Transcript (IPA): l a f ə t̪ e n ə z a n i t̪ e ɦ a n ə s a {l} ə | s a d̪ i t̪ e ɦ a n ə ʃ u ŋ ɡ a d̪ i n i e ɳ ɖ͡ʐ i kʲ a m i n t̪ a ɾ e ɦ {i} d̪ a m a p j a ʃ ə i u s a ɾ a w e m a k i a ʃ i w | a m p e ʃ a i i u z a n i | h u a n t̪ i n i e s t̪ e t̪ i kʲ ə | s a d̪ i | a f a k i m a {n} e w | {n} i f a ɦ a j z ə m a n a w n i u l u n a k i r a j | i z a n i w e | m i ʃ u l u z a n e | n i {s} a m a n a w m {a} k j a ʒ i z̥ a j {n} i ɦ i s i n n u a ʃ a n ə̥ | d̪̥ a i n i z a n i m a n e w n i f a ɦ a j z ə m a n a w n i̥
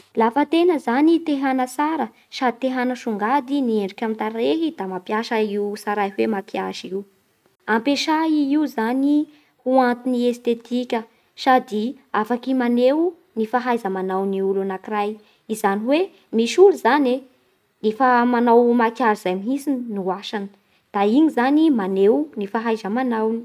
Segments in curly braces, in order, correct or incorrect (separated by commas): incorrect, correct, correct, correct, incorrect, correct, incorrect